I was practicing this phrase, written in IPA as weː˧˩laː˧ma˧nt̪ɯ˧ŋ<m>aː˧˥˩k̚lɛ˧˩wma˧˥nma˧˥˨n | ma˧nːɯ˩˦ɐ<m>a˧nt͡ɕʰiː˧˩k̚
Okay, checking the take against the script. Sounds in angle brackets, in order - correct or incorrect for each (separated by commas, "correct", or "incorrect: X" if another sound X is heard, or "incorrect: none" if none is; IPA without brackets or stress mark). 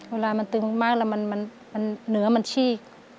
correct, correct